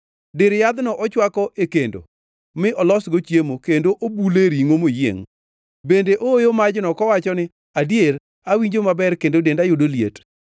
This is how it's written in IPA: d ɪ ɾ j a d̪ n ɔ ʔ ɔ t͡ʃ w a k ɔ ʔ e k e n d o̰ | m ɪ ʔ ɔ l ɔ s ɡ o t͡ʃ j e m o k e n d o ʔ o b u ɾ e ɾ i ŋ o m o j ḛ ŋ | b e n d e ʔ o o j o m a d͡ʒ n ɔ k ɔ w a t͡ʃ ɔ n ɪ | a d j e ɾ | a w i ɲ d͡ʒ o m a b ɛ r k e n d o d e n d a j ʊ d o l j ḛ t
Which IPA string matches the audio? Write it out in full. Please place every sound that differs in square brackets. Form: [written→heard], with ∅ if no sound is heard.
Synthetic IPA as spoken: d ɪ ɾ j a d̪ n ɔ ʔ ɔ t͡ʃ w a k ɔ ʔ e k e n d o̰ | m ɪ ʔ ɔ l ɔ s ɡ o t͡ʃ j e m o k e n d o ʔ o b u [ɾ→l] e ɾ i ŋ o m o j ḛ ŋ | b e n d e ʔ o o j o m a d͡ʒ n ɔ k ɔ w a t͡ʃ ɔ n ɪ | a d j e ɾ | a w i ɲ d͡ʒ o m a b ɛ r k e n d o d e n d a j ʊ d o l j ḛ t